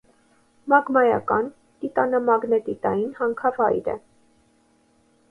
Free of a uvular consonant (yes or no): yes